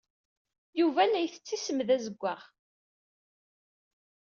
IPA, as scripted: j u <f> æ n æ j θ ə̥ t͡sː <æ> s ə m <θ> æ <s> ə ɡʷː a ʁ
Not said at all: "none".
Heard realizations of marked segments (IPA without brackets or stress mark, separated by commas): v, i, ð, z